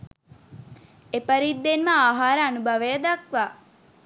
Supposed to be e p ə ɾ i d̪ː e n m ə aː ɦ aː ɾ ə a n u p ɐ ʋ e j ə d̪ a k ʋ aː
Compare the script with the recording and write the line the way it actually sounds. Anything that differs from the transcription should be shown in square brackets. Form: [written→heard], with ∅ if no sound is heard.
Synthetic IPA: e p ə ɾ i d̪ː e n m ə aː ɦ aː ɾ ə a n u [p→b] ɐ ʋ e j ə d̪ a k ʋ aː